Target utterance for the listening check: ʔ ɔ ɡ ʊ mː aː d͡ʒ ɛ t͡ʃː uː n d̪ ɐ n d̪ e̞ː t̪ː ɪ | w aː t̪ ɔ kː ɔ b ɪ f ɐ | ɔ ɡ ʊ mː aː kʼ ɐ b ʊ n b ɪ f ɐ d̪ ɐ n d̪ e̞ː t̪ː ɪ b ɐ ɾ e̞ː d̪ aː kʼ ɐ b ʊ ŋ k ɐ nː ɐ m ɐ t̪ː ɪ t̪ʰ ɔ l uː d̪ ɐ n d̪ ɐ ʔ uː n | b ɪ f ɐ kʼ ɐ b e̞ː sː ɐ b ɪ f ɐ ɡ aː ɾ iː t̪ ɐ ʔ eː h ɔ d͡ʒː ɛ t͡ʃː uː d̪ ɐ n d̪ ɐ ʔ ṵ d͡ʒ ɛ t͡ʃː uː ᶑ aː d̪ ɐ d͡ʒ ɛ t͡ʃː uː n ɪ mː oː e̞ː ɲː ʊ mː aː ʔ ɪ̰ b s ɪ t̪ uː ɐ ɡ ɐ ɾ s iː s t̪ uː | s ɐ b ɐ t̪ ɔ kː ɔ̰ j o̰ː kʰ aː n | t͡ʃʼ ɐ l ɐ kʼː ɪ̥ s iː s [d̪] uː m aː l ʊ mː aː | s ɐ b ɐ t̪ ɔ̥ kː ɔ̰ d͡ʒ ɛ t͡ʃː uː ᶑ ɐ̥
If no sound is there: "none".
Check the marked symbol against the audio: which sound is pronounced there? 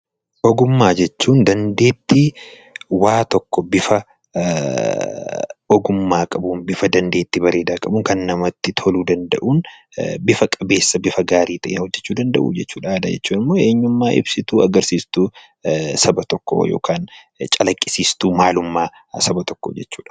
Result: t̪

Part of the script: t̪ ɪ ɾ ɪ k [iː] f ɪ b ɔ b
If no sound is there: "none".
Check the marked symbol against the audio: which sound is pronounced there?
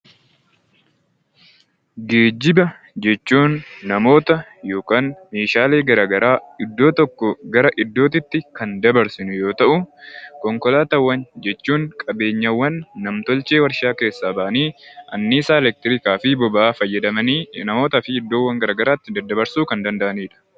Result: aː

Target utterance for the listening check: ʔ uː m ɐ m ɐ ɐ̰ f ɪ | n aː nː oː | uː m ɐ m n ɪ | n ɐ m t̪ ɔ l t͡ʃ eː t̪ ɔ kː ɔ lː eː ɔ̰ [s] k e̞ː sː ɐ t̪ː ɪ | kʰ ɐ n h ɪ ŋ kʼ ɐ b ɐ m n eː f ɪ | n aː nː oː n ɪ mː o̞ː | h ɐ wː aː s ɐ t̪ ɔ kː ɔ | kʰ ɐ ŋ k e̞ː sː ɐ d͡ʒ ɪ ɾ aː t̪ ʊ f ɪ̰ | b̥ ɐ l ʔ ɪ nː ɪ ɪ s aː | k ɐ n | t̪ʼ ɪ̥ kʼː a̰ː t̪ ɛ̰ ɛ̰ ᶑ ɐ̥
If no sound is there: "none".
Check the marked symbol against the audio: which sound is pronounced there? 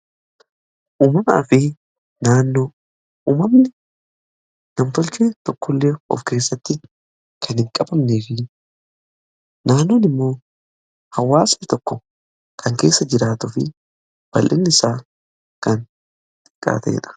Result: f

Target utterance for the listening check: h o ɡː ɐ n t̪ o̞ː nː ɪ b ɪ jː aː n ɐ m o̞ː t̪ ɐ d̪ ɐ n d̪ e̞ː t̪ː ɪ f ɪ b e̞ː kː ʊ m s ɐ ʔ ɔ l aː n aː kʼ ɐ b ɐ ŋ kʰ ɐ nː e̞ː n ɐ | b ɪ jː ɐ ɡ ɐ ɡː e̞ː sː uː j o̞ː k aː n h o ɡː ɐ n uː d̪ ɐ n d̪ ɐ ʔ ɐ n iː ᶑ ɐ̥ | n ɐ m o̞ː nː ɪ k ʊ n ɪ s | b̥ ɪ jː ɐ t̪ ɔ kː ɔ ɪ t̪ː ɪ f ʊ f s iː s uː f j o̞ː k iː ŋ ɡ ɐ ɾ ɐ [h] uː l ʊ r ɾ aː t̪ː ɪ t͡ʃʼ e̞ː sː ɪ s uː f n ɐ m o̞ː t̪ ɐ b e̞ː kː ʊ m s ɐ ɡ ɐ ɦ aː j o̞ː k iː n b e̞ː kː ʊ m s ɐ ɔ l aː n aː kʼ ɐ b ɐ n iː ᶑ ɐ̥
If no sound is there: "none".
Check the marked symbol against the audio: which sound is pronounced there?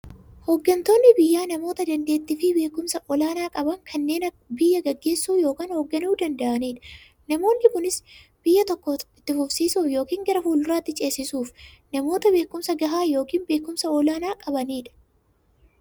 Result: f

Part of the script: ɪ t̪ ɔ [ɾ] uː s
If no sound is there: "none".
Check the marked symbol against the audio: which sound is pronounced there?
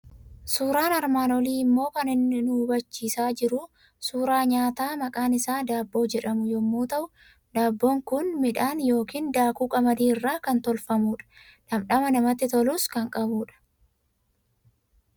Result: l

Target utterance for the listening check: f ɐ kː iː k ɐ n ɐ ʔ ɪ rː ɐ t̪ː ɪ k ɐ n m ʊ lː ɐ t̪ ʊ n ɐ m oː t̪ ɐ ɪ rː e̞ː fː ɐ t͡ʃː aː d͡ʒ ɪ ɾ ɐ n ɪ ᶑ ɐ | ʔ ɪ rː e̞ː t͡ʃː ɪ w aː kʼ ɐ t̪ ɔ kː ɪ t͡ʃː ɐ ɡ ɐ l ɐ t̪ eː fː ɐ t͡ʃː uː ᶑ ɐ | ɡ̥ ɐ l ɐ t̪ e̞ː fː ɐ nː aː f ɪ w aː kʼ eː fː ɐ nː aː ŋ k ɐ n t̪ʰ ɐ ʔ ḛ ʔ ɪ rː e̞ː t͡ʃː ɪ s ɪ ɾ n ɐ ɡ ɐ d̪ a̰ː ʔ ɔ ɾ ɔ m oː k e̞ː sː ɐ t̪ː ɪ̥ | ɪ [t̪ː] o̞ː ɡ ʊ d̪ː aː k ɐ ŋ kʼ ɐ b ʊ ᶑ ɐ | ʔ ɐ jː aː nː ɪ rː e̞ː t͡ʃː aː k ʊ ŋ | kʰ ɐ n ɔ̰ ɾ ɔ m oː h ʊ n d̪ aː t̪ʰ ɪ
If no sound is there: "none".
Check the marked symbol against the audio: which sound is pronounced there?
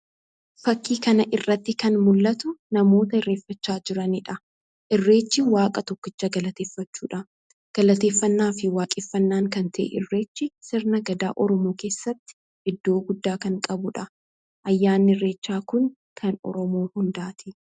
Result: d̪ː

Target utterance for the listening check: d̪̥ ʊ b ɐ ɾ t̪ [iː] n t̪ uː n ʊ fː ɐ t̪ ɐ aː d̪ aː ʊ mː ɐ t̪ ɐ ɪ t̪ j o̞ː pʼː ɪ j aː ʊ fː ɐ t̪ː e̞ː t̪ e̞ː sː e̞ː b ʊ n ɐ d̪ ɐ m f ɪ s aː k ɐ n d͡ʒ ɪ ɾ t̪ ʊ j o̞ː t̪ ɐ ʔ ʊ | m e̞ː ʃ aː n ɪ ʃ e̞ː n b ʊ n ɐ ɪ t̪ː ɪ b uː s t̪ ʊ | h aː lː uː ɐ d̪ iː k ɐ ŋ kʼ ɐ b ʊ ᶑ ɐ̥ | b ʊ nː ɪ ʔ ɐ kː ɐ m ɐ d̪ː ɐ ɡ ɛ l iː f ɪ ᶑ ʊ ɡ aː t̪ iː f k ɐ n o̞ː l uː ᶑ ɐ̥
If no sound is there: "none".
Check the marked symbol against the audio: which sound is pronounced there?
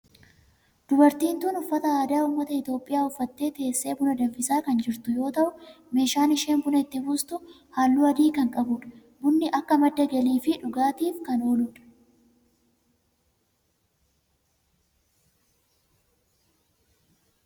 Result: iː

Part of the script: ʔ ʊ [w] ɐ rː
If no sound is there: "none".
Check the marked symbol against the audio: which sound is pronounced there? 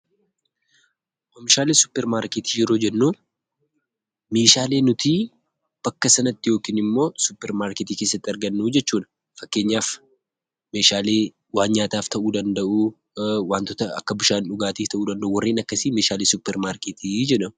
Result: w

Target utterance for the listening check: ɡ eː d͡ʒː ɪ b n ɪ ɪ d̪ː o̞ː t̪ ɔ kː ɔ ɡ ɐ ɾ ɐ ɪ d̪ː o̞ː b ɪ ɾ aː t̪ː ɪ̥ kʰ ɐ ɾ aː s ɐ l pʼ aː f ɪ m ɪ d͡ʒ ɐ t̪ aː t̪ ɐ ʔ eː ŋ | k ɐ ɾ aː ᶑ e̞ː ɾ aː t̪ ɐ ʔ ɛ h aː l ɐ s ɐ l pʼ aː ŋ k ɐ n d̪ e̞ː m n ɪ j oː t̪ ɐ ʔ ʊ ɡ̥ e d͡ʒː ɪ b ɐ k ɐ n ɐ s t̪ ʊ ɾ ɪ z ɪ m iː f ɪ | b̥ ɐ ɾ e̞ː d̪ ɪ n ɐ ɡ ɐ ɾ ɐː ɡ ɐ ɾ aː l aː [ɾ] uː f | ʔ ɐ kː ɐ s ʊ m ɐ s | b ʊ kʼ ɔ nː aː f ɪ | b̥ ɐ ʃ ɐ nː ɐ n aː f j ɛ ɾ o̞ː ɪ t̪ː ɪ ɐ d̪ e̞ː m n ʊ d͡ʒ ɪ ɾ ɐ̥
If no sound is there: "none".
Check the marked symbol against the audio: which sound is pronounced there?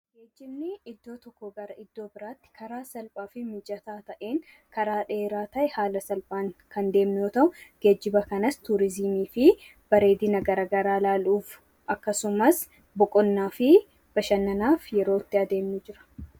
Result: l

